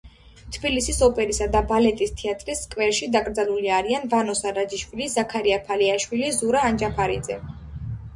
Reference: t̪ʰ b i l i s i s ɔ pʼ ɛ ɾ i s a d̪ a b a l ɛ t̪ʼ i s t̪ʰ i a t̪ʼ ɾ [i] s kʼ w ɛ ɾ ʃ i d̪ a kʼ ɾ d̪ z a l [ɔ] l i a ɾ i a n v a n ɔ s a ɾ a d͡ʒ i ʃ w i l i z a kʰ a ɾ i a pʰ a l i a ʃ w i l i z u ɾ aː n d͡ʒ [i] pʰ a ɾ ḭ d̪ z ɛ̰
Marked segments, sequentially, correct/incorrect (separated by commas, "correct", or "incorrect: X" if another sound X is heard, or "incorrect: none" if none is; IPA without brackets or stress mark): correct, incorrect: u, incorrect: a